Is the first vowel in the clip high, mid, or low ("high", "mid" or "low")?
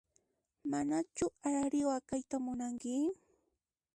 low